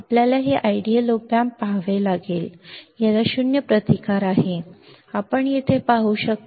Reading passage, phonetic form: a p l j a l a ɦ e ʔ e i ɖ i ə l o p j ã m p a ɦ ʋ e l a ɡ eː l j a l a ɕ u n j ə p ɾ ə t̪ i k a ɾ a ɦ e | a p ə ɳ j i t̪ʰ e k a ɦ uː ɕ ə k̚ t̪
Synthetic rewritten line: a p l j a l a ɦ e ʔ a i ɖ i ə l o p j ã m p a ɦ ʋ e l a ɡ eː l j a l a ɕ u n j ə p ɾ ə t̪ i k a ɾ a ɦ e | a p ə ɳ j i t̪ʰ e p a ɦ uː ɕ ə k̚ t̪

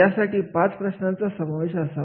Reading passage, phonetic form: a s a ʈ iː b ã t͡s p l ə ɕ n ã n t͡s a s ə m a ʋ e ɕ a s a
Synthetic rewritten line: a s a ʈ iː p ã t͡s p ɾ ə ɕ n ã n t͡s a s ə m a ʋ e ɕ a s a

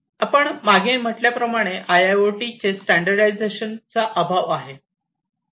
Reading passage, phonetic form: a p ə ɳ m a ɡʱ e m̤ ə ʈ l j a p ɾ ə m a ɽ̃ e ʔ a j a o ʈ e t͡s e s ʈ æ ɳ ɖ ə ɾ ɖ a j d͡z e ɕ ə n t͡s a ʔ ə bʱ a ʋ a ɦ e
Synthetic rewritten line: a p ə ɳ m a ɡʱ e m̤ ə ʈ l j a p ɾ ə m a ɽ̃ e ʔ a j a o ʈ i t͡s e s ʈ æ ɳ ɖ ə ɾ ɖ a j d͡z e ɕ ə n t͡s a ʔ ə bʱ a ʋ a ɦ e

